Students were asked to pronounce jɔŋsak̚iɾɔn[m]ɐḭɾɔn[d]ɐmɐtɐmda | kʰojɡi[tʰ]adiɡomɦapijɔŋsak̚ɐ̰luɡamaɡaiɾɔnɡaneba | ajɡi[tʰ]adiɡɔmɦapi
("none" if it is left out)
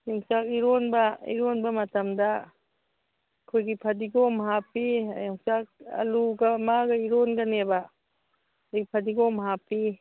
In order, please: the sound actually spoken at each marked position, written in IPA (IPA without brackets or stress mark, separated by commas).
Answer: b, b, pʰ, pʰ